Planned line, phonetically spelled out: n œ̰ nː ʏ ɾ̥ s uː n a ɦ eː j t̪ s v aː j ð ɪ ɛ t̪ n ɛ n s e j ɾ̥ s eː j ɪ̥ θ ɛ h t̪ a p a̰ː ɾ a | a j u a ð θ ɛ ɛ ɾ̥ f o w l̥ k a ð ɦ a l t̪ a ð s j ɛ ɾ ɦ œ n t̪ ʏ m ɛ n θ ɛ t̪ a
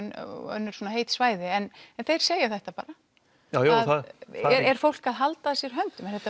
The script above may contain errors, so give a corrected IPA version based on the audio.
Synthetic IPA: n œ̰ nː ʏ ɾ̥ s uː n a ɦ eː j t̪ s v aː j ð ɪ ɛ n ɛ n θ e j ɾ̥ s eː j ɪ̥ θ ɛ h t̪ a p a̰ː ɾ a | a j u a ð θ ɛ ɛ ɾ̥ f o w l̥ k a ð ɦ a l t̪ a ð s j ɛ ɾ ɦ œ n t̪ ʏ m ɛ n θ ɛ t̪ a

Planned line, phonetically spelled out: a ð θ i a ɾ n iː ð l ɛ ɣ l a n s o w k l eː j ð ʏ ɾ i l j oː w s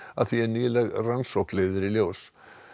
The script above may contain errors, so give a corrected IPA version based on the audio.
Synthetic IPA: a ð θ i ɛ ɾ n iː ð l ɛ ɣ r a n s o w k l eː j ð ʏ ɾ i l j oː w s

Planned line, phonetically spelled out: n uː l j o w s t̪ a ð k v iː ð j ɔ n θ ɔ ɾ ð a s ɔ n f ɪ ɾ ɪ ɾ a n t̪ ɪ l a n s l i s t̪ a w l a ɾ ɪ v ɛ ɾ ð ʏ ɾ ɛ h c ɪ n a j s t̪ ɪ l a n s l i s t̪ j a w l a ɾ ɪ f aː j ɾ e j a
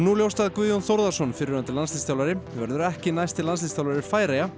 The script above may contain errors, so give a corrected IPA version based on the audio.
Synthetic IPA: n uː l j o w s t̪ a ð k v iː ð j ɔ n θ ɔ ɾ ð a s ɔ n f ɪ ɾ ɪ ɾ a n t̪ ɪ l a n s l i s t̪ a w l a ɾ ɪ v ɛ ɾ ð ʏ ɾ ɛ h c ɪ n a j s t̪ ɪ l a n s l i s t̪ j a w l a ɾ ɪ f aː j ɾ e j a

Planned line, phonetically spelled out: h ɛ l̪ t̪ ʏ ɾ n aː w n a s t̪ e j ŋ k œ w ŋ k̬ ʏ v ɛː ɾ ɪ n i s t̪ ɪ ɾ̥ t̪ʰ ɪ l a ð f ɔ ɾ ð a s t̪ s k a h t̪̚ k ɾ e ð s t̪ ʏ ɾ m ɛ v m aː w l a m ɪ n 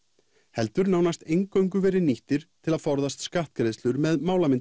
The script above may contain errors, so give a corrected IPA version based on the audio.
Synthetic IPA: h ɛ l̪ t̪ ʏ ɾ n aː w n a s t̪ e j ŋ k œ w ŋ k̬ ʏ v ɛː ɾ ɪ n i h t̪ ɪ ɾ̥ t̪ʰ ɪ l a ð f ɔ ɾ ð a s t̪ s k a h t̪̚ k ɾ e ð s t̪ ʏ ɾ m ɛ ð m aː w l a m ɪ n

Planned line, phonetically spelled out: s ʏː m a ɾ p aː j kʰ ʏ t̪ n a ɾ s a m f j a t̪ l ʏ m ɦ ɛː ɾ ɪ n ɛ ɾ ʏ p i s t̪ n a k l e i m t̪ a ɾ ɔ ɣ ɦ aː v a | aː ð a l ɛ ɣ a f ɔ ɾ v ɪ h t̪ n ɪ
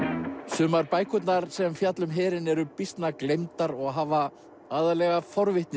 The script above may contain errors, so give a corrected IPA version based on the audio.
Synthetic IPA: s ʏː m a ɾ p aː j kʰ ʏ t̪ n a ɾ s ɛ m f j a t̪ l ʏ m ɦ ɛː ɾ ɪ n ɛ ɾ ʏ p i s t̪ n a k l e j m t̪ a ɾ ɔ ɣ ɦ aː v a | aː ð a l ɛ ɣ a f ɔ ɾ v ɪ h t̪ n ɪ

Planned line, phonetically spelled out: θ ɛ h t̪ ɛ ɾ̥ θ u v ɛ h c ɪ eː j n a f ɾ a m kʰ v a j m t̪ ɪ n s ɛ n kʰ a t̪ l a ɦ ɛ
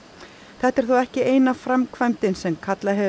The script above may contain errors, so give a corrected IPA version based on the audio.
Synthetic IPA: θ ɛ h t̪ ɛ ɾ̥ θ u ɛ h c ɪ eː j n a f ɾ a m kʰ v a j m t̪ ɪ n s ɛ m kʰ a t̪ l a ɦ ɛ

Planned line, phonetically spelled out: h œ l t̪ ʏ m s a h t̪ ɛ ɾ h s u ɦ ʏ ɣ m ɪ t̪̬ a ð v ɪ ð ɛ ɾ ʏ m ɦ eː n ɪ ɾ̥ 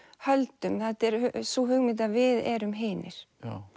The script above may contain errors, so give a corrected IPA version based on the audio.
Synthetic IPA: h œ l t̪ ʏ m θ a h t̪ ɛ ɾ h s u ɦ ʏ ɣ m ɪ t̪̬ a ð v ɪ ð ɛ ɾ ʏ m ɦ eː n ɪ ɾ̥

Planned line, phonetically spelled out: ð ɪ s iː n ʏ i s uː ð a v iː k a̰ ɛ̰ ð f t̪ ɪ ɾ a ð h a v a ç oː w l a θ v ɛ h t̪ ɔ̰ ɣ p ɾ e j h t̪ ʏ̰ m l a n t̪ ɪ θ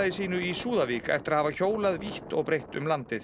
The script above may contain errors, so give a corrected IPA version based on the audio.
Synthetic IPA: ð ɪ s iː n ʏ i s uː ð a v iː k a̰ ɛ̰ f t̪ ɪ ɾ a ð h a v a ç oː w l a ð v i h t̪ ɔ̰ ɣ p ɾ e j h t̪ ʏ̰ m l a n t̪ ɪ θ

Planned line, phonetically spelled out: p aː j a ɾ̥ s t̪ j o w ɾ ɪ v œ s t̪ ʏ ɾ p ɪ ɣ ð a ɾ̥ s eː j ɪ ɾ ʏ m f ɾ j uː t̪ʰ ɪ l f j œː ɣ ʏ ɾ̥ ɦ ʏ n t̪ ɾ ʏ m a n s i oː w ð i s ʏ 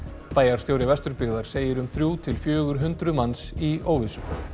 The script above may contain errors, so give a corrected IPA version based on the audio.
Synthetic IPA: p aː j a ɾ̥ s t̪ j o w ɾ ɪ v ɛ s t̪ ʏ ɾ p ɪ ɣ ð a ɾ̥ s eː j ɪ ɾ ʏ m θ ɾ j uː t̪ʰ ɪ l f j œː ɣ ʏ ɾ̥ ɦ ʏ n t̪ ɾ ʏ m a n s i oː w v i s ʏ

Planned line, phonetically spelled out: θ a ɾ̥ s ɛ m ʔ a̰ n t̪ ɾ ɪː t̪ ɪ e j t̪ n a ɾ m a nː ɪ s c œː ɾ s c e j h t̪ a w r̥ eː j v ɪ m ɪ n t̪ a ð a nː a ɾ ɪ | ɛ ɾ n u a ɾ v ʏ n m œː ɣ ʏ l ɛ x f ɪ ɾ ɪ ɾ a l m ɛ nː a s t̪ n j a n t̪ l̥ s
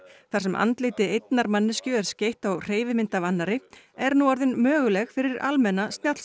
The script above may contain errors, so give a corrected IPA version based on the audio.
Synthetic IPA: θ a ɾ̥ s ɛ m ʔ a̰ n t̪ l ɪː t̪ ɪ e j t̪ n a ɾ m a nː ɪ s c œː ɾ s c e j h t̪ a w r̥ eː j v ɪ m ɪ n t̪ a v a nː a ɾ ɪ | ɛ ɾ n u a ɾ ð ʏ n m œː ɣ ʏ l ɛ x f ɪ ɾ ɪ ɾ a l m ɛ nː a s t̪ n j a t̪ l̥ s

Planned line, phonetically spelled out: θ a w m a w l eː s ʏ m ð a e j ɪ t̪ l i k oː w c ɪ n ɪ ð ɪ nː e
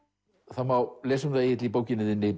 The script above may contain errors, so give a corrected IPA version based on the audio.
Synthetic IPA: θ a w m a w l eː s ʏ m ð a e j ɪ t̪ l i p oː w c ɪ n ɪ ð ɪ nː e

